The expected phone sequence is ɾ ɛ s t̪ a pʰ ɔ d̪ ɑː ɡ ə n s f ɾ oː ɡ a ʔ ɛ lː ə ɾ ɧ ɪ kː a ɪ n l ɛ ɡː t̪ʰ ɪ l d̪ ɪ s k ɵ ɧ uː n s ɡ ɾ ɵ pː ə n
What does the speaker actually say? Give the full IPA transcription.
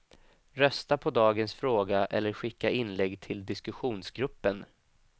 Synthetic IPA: ɾ œ s t̪ a pʰ ɔ d̪ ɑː ɡ ə n s f ɾ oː ɡ a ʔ ɛ lː ə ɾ ɧ ɪ kː a ɪ n l ɛ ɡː t̪ʰ ɪ l d̪ ɪ s k ɵ ɧ uː n s ɡ ɾ ɵ pː ə n

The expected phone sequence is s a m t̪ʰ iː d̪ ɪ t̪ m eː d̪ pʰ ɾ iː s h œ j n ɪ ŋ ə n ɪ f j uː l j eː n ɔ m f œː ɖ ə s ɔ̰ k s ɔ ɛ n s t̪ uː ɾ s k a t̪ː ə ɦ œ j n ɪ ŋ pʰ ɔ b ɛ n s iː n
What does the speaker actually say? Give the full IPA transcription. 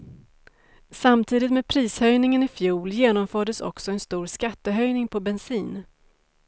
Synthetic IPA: s a m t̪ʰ iː d̪ ɪ t̪ m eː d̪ pʰ ɾ iː s h œ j n ɪ ŋ ə n ɪ f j uː l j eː n ɔ m f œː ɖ ə s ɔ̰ k s ɔ ɛ n s t̪ uː ɾ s k a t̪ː ə ɦ œ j n ɪ ŋ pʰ ɔ b ɛ n s iː n

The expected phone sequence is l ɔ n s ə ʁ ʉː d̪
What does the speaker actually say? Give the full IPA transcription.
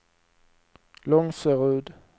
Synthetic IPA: l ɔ ŋ s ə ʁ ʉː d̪

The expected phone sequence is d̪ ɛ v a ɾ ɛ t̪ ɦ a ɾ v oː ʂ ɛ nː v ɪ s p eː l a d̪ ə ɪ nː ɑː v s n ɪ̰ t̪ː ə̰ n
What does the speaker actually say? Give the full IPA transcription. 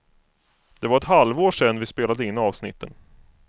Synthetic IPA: d̪ ɛ v a ɾ ɛ t̪ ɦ a l v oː ʂ ɛ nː v ɪ s p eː l a d̪ ə ɪ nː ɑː v s n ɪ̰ t̪ː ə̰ n

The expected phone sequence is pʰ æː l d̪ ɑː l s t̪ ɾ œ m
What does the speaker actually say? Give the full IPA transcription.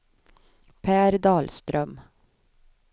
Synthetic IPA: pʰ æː ɾ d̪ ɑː l s t̪ ɾ œ m

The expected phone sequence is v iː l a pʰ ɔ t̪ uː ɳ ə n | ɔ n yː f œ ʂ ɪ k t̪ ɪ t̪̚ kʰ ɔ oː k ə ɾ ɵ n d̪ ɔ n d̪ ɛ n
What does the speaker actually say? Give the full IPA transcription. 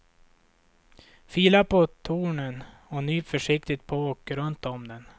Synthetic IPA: f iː l a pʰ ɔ t̪ʰ uː ɳ ə n | ɔ n yː f œ ʂ ɪ k t̪ ɪ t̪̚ pʰ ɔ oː k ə ɾ ɵ n t̪ ɔ m d̪ ɛ n

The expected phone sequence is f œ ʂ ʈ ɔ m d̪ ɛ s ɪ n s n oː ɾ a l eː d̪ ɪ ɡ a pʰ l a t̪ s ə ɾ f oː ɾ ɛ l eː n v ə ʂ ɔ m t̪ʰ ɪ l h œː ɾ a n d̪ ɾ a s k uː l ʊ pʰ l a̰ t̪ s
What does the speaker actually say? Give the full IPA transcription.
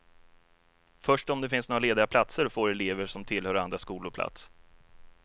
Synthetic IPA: f œ ʂ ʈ ɔ m d̪ ɛ f ɪ n s n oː ɾ a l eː d̪ ɪ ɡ a pʰ l a t̪ s ə ɾ f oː ɾ ɛ l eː v ə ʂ ɔ m t̪ʰ ɪ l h œː ɾ a n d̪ ɾ a s k uː l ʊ pʰ l a̰ t̪ s

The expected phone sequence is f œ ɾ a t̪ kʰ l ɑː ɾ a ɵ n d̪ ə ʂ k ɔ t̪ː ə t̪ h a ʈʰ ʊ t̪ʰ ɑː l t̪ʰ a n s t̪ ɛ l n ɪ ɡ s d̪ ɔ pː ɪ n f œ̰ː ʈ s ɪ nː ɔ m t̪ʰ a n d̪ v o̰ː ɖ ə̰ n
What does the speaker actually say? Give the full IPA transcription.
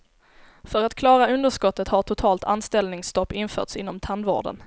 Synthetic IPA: f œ ɾ a t̪ kʰ l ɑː ɾ a ɵ n d̪ ə ʂ k ɔ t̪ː ə t̪ h a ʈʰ ʊ t̪ʰ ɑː l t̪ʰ a n s t̪ ɛ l n ɪ ŋ s t̪ ɔ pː ɪ n f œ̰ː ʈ s ɪ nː ɔ m t̪ʰ a n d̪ v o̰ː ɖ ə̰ n

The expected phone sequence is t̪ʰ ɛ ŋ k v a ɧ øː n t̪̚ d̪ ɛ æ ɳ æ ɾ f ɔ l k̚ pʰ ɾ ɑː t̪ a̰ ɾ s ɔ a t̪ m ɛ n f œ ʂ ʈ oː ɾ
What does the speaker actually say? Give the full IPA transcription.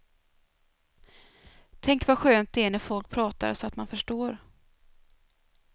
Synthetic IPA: t̪ʰ ɛ ŋ k v a ɧ øː n t̪̚ d̪ ɛ æ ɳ æ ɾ f ɔ l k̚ pʰ ɾ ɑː t̪ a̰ ɾ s ɔ a t̪ m a n f œ ʂ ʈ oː ɾ

